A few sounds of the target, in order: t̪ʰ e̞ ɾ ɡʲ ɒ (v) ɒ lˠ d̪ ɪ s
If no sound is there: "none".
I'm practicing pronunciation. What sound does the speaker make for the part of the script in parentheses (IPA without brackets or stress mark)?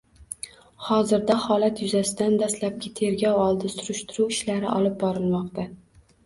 w